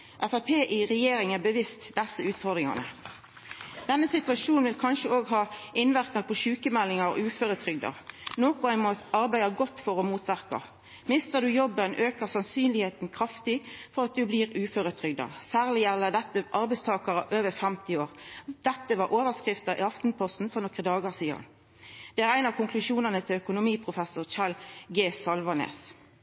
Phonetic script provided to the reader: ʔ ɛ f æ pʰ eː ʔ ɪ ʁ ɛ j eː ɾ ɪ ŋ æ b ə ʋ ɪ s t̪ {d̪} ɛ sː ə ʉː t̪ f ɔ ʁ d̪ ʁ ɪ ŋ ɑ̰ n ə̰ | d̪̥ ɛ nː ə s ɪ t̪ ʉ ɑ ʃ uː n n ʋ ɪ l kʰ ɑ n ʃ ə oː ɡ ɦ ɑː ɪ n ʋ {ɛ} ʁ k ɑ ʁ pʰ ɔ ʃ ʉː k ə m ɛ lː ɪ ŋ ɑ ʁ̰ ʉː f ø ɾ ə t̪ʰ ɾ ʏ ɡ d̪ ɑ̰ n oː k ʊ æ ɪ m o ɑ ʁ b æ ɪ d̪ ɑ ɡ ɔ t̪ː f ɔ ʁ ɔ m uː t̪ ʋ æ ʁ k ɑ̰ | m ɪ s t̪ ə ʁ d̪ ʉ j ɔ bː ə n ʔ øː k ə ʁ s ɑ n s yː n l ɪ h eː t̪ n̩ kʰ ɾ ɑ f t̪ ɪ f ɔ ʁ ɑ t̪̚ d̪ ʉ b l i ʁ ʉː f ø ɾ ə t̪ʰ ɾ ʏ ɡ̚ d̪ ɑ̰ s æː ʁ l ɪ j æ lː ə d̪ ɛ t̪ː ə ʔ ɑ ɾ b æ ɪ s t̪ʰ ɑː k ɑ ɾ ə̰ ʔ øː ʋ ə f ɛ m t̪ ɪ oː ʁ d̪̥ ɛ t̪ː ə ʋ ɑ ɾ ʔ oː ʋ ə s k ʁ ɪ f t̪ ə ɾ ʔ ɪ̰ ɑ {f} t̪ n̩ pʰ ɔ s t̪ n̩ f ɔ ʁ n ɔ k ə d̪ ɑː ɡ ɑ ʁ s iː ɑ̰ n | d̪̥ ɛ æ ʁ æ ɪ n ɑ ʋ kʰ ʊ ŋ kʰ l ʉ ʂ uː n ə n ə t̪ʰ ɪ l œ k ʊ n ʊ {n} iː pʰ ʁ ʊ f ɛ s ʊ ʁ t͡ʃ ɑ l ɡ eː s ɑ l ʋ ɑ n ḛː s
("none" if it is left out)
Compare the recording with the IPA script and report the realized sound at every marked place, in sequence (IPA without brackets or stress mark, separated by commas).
d̪, æ, f, m